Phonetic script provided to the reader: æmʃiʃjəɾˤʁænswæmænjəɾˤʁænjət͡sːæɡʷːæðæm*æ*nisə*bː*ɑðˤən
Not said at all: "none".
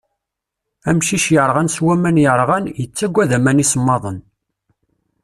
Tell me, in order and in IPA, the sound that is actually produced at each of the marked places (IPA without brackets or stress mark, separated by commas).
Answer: æ, mː